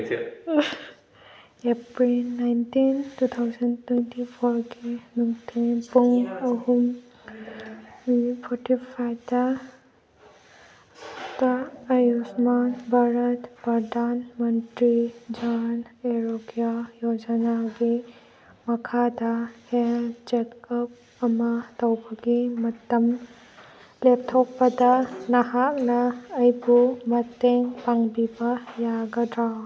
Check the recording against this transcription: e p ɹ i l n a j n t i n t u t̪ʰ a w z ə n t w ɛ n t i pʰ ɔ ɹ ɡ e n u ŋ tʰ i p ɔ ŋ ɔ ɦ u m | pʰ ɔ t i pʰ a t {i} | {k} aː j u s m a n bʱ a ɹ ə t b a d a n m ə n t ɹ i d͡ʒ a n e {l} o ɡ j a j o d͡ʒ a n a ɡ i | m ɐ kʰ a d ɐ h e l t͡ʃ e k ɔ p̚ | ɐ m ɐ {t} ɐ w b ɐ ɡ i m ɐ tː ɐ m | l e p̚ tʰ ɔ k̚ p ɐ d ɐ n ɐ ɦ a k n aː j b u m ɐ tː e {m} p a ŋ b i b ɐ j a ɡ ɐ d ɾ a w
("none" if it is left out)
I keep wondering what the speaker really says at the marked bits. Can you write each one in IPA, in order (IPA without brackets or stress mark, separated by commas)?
a, t, ɾ, t, ŋ